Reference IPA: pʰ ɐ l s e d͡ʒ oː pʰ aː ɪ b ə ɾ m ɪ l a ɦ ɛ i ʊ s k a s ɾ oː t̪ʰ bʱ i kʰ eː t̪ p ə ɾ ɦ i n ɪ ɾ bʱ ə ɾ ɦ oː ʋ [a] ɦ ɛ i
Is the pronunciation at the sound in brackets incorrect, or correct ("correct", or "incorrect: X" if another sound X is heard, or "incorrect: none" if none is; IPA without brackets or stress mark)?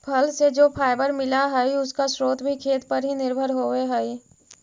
incorrect: e